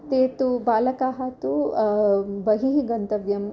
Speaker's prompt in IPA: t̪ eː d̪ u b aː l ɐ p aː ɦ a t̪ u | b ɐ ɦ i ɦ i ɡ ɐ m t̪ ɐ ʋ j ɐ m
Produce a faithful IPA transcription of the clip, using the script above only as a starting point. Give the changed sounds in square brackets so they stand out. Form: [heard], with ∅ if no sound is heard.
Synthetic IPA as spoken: t̪ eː [t̪] u b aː l ɐ [k] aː ɦ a t̪ u | b ɐ ɦ i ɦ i ɡ ɐ [n] t̪ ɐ ʋ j ɐ m